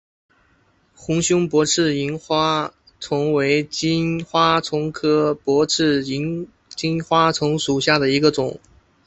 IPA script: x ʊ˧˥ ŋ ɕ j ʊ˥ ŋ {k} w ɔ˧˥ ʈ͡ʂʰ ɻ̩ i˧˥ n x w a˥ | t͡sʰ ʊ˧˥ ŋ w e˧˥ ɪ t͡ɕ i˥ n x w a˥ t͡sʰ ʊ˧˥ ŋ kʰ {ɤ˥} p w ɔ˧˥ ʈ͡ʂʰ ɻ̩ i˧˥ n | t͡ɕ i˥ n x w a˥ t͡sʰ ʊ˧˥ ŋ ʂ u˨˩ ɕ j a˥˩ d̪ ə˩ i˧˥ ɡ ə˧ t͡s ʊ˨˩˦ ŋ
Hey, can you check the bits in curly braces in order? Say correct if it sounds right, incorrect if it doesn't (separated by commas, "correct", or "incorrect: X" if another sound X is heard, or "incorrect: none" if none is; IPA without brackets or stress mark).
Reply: incorrect: p, correct